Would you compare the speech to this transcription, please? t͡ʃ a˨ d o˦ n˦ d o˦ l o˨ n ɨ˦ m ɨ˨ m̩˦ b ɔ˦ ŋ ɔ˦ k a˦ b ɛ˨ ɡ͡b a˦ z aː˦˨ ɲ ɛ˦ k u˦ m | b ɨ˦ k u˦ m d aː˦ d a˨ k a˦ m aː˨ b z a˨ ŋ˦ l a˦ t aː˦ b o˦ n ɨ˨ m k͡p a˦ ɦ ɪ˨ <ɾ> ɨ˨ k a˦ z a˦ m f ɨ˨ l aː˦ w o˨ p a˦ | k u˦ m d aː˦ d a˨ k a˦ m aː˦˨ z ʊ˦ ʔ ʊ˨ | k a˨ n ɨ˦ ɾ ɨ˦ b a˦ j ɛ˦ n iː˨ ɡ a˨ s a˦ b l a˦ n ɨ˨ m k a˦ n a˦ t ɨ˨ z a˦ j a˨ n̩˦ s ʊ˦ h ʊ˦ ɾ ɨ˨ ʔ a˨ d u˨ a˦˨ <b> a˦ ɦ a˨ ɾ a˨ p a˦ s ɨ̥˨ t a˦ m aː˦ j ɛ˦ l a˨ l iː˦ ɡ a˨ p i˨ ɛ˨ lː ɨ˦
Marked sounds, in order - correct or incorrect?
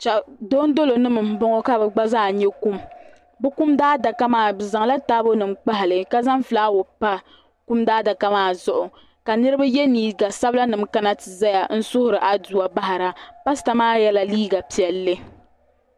incorrect: l, correct

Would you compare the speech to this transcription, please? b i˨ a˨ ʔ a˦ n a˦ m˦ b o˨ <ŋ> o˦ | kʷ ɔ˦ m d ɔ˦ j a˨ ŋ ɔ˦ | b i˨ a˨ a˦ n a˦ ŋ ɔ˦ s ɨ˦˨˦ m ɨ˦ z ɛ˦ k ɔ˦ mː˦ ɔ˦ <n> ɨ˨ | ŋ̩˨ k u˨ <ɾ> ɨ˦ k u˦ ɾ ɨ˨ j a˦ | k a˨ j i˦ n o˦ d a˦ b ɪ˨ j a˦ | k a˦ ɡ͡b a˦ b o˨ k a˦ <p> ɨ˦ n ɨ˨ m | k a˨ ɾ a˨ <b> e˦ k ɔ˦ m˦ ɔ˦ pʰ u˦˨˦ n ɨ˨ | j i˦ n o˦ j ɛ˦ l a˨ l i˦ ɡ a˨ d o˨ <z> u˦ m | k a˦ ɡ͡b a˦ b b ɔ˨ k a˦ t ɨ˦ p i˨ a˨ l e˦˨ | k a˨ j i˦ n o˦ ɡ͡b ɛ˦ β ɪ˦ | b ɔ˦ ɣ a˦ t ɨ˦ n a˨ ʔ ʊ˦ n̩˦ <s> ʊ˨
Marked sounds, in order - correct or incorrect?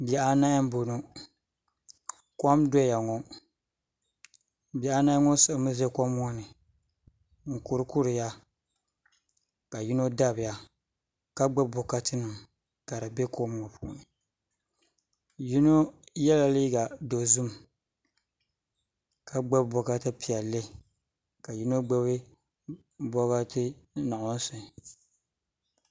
incorrect: n, correct, correct, incorrect: t, correct, correct, correct

